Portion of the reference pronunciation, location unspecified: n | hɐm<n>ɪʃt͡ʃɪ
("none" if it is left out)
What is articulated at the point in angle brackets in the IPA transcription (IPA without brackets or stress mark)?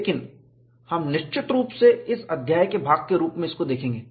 n